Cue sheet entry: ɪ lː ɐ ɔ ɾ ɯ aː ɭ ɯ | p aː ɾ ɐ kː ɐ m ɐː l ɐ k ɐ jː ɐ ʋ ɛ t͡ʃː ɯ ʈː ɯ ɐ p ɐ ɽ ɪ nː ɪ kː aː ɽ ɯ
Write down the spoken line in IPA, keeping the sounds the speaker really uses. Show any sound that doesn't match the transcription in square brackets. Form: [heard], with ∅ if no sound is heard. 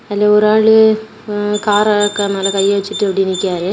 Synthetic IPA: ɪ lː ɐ ɔ ɾ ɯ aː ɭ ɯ | [k] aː ɾ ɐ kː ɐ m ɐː l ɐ k ɐ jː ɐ ʋ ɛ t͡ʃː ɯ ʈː ɯ ɐ p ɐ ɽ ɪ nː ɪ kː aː [ɾ] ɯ